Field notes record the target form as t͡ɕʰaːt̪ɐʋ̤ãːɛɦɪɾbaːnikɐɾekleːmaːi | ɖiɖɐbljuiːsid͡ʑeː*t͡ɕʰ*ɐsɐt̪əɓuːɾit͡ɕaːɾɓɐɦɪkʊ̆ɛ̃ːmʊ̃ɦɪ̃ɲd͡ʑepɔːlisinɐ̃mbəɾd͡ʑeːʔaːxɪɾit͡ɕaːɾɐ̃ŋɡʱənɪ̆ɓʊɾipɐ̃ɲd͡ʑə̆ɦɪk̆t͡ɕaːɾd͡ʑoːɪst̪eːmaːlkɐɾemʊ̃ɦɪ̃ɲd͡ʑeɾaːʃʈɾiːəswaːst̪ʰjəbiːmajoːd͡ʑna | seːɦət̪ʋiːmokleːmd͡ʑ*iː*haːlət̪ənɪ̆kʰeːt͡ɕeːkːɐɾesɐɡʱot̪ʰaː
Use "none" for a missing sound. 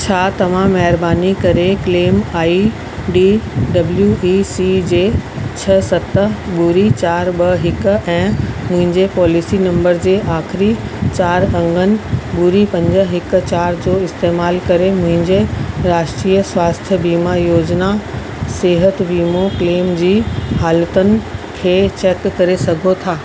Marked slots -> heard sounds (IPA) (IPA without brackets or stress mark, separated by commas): t͡ɕʰ, iː